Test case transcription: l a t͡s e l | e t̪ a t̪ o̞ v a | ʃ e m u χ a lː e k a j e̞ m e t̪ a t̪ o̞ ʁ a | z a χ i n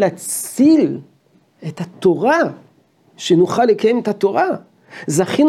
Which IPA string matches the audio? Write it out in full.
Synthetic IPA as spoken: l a t͡s i l | e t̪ a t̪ o̞ ʁ a | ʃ e n u χ a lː e k a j e̞ m e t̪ a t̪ o̞ ʁ a | z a χ i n